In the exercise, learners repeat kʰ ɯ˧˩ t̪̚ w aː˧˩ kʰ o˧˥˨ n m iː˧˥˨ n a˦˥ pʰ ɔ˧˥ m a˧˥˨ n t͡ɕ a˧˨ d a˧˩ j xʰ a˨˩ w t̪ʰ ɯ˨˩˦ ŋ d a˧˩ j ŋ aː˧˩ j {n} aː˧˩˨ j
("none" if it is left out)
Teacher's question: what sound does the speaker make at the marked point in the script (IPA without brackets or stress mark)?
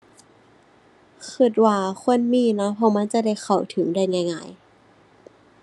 ŋ